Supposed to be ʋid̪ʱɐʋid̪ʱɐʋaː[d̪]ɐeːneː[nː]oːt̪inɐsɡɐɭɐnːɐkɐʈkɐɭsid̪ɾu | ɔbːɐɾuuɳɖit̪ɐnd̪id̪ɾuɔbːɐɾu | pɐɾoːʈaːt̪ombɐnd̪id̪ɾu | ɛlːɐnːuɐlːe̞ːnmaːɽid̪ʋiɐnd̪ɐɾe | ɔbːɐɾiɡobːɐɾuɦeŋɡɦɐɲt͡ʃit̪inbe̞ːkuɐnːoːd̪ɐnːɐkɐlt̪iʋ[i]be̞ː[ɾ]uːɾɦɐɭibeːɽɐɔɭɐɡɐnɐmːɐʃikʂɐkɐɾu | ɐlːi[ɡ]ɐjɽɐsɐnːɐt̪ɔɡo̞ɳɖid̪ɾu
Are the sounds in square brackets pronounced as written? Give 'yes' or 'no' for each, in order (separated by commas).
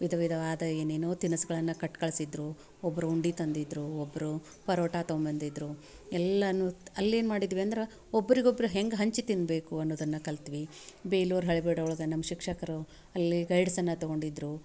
yes, no, yes, no, yes